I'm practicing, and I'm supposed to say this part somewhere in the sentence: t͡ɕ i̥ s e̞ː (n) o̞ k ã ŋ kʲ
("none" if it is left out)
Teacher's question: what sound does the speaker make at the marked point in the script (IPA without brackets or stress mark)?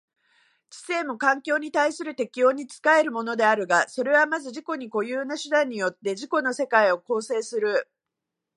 m